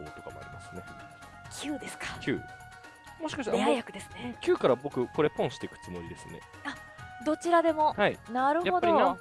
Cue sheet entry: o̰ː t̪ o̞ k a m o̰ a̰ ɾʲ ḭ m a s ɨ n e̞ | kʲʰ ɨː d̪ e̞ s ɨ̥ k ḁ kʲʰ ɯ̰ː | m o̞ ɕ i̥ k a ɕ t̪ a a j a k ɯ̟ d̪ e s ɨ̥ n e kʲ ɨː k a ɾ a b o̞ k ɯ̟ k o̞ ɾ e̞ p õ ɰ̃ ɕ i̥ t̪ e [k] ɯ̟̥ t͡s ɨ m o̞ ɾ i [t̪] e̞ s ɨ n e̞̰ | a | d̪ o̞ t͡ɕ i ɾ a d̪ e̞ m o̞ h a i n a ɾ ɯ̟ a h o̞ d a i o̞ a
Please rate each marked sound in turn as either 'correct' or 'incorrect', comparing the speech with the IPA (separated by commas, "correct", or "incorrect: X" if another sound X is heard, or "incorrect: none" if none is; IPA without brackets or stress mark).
correct, incorrect: d̪